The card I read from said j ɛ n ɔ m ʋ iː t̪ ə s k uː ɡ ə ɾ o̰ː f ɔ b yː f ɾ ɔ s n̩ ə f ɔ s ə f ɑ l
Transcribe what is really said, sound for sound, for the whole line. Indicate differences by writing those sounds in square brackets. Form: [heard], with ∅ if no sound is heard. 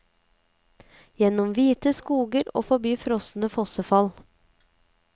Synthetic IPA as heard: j ɛ n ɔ m ʋ iː t̪ ə s k uː ɡ ə ɾ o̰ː f ɔ b yː f ɾ ɔ s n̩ ə f ɔ s ə f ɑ l

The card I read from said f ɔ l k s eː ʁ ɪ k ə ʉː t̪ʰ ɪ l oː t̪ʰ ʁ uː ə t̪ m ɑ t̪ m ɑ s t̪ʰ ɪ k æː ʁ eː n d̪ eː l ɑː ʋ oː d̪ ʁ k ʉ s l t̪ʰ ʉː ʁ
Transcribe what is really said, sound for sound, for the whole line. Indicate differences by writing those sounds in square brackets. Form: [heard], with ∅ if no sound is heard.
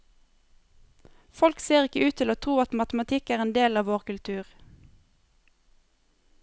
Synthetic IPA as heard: f ɔ l k s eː ʁ ɪ k ə ʉː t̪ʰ ɪ l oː t̪ʰ ʁ uː [ɑ] t̪ m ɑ t̪ m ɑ [∅] t̪ʰ ɪ k æː ʁ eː n d̪ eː l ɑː ʋ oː [∅] ʁ k ʉ [∅] l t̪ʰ ʉː ʁ

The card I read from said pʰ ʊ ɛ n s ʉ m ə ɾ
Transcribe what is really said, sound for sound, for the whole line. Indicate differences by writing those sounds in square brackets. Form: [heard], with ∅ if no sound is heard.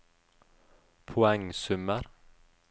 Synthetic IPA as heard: pʰ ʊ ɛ [ŋ] s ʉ m ə ɾ

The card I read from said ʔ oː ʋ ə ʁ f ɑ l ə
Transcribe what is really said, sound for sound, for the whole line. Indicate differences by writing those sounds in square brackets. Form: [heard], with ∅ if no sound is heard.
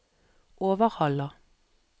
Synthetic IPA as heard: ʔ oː ʋ ə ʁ [h] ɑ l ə

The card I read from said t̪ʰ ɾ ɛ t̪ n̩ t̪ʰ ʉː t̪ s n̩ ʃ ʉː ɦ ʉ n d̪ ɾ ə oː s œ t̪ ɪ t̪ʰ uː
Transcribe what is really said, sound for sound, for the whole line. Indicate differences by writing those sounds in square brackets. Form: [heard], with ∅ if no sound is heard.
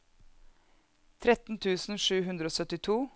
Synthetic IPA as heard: t̪ʰ ɾ ɛ t̪ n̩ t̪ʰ ʉː [∅] s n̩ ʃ ʉː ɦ ʉ n d̪ ɾ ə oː s œ t̪ ɪ t̪ʰ uː

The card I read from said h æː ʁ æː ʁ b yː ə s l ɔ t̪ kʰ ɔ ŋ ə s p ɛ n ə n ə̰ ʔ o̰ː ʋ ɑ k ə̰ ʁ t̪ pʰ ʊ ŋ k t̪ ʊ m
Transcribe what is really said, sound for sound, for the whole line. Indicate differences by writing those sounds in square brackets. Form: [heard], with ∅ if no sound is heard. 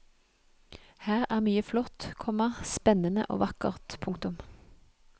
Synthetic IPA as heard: h æː ʁ æː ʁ [m] yː ə [f] l ɔ t̪ kʰ ɔ [m] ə s p ɛ n ə n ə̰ ʔ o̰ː ʋ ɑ k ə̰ ʁ t̪ pʰ ʊ ŋ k t̪ ʊ m

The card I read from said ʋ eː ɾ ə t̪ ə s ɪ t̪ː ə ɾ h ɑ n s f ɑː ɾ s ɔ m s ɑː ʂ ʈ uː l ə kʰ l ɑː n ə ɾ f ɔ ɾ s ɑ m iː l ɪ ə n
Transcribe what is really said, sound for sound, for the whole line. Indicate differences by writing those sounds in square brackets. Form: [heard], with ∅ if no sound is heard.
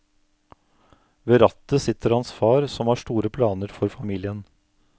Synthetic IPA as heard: ʋ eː ɾ [ɑ] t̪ ə s ɪ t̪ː ə ɾ h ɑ n s f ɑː ɾ s ɔ m [h] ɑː ʂ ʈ uː [ɾ] ə [pʰ] l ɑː n ə ɾ f ɔ ɾ [f] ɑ m iː l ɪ ə n

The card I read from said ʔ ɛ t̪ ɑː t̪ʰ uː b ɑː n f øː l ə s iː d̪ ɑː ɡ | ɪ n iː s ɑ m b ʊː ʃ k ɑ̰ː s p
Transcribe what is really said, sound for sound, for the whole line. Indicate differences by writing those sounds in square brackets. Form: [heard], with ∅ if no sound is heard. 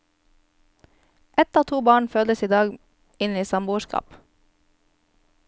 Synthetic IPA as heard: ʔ ɛ t̪ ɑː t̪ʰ uː b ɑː [ɳ] f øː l ə s iː d̪ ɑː ɡ | ɪ n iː s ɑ m b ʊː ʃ k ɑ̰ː [∅] p

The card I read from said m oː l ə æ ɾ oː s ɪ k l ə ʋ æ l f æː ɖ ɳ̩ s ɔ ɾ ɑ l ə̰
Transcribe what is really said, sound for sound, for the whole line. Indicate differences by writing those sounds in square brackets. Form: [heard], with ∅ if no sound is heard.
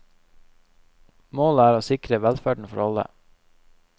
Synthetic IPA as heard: m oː l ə [æː] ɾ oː s ɪ k [ɾ] ə ʋ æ l f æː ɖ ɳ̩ [f] ɔ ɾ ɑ l ə̰

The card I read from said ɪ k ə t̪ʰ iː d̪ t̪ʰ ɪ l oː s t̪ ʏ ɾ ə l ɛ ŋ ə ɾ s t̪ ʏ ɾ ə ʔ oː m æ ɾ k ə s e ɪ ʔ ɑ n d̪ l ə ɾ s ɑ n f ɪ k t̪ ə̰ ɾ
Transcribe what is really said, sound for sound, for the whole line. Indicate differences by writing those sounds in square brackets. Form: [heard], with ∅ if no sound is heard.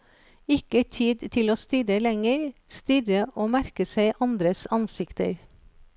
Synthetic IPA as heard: ɪ k ə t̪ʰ iː d̪ t̪ʰ ɪ l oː s t̪ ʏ ɾ ə l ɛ ŋ ə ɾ s t̪ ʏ ɾ ə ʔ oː m æ ɾ k ə s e ɪ ʔ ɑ n d̪ [ɾ] ə [∅] s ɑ n [s] ɪ k t̪ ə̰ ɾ

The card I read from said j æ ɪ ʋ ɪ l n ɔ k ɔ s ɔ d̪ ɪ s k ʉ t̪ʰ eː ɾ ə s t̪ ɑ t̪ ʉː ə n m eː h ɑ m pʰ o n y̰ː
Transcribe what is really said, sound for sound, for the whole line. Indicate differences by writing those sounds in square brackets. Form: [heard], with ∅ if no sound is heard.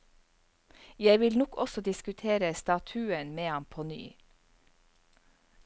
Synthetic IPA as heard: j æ ɪ ʋ ɪ l n ɔ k ɔ s ɔ d̪ ɪ s k ʉ t̪ʰ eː ɾ ə s t̪ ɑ [t̪ʰ] ʉː ə n m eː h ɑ m pʰ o n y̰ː

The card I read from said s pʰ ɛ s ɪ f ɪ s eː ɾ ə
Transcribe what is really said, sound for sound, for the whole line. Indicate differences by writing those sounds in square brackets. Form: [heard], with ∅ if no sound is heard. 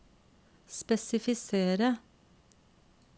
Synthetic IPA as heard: s [p] ɛ s ɪ f ɪ s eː ɾ ə

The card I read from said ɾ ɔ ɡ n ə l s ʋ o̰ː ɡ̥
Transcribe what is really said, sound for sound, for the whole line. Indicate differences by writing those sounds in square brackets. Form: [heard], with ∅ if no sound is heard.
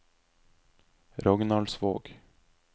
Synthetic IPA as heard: ɾ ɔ ɡ n [ɑ] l s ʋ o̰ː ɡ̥

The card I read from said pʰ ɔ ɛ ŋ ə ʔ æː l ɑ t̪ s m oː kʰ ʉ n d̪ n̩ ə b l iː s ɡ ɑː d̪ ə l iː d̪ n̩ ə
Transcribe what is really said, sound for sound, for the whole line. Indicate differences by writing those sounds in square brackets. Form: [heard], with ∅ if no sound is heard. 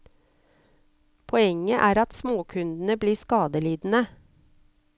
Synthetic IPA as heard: pʰ ɔ ɛ ŋ ə ʔ æː [ɾ] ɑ t̪ s m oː kʰ ʉ n d̪ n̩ ə b l iː s [k] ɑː d̪ ə l iː d̪ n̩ ə

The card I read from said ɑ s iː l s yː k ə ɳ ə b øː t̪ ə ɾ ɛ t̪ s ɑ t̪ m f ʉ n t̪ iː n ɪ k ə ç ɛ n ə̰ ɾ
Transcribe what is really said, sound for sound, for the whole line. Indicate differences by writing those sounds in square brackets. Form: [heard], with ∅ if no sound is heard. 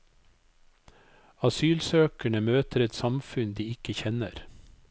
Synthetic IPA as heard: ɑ s [yː] l s [øː] k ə ɳ ə [m] øː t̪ ə ɾ ɛ t̪ s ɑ [∅] m f ʉ n [d̪] iː [∅] ɪ k ə ç ɛ n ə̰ ɾ

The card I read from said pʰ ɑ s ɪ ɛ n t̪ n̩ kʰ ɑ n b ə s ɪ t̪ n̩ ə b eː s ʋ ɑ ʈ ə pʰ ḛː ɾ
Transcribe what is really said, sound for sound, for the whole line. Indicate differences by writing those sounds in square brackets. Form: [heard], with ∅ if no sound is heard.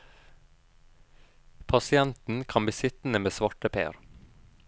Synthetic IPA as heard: pʰ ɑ s ɪ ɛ n t̪ n̩ kʰ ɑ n b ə s ɪ t̪ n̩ ə [m] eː s ʋ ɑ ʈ ə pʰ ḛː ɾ

